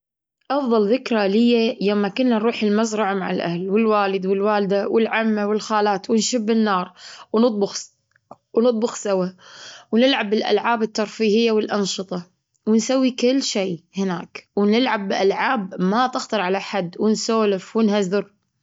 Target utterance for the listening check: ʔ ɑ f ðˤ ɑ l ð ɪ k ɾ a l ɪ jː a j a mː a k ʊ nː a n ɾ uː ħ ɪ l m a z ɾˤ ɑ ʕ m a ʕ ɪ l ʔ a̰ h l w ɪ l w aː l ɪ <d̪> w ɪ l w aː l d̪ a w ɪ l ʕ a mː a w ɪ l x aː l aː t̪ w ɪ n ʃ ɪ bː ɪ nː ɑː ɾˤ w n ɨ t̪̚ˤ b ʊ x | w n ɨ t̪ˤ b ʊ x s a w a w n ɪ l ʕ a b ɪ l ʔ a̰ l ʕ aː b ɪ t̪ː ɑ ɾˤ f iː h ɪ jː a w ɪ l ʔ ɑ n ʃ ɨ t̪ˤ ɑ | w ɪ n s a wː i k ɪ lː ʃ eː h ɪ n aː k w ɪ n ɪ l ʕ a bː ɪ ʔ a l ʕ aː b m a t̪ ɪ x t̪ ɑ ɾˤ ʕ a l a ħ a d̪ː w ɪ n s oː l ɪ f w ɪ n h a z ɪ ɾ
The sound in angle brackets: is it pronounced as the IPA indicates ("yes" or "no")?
yes